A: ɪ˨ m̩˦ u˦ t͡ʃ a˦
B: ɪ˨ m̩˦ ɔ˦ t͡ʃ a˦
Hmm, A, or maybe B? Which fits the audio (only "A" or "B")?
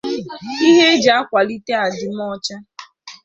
B